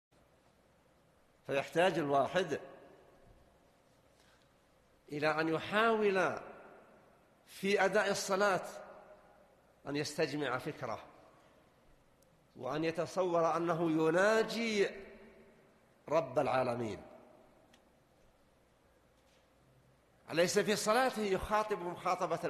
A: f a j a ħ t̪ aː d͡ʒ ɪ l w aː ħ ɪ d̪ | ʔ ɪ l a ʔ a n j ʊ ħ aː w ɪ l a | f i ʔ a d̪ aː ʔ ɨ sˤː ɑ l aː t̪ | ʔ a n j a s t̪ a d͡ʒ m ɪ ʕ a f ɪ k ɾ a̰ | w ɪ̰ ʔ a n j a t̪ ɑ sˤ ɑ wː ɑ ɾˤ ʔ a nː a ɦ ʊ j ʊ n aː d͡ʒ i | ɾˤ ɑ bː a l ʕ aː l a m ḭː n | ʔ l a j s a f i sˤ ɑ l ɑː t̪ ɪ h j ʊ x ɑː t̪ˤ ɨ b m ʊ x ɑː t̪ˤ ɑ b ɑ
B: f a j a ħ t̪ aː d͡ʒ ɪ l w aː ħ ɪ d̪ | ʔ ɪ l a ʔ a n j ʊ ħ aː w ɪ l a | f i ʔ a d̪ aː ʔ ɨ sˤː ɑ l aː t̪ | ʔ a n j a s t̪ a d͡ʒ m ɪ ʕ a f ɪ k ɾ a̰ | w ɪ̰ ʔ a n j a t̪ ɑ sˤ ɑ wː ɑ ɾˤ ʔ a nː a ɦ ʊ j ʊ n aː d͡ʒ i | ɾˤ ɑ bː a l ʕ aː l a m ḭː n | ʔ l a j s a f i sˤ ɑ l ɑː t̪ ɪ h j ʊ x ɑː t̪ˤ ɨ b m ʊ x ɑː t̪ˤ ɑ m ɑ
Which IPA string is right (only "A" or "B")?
A